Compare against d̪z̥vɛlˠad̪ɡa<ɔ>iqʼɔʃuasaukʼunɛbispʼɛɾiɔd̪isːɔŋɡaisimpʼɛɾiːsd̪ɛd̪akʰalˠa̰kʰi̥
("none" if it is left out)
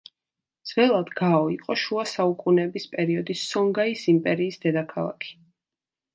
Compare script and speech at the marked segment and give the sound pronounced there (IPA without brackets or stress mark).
ɔ